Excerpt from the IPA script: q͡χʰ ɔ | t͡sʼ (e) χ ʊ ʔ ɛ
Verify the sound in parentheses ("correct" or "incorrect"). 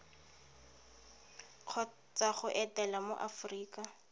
incorrect